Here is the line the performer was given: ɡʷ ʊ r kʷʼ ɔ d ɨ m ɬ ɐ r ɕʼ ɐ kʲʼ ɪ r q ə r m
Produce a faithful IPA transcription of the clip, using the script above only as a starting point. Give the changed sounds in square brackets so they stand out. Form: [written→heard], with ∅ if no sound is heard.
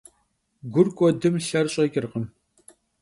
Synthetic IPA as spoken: ɡʷ ʊ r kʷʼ ɔ d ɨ m ɬ ɐ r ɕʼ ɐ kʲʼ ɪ r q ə [r→∅] m